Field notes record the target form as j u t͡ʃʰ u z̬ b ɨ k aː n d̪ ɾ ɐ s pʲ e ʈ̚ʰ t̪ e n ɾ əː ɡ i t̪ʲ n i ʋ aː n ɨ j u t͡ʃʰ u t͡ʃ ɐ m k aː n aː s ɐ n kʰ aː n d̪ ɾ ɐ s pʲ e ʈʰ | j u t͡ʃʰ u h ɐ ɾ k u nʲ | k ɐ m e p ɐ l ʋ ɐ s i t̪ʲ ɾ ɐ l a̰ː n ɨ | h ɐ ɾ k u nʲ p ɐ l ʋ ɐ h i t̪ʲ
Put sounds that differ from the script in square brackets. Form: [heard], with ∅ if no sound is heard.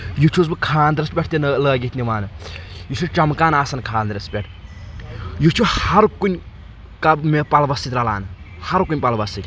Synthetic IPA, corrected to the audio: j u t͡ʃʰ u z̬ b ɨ [kʰ] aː n d̪ ɾ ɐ s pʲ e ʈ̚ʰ t̪ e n [l] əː ɡ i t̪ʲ n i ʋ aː n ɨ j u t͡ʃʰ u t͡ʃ ɐ m k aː n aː s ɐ n kʰ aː n d̪ ɾ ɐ s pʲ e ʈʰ | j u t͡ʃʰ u h ɐ ɾ k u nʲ | k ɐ m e p ɐ l ʋ ɐ s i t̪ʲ ɾ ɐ l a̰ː n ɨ | h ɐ ɾ k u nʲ p ɐ l ʋ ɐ [s] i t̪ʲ